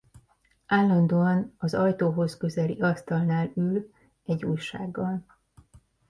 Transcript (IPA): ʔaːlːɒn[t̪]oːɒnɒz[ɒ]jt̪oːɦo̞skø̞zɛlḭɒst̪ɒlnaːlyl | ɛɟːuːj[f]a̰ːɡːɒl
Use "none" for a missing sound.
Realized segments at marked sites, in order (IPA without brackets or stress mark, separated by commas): d̪, ɒ, ʃ